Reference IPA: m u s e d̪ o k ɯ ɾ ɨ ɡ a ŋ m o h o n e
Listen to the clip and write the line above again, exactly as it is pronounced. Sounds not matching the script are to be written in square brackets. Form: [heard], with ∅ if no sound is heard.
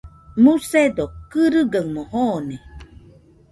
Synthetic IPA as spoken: m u s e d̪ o k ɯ ɾ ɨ ɡ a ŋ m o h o n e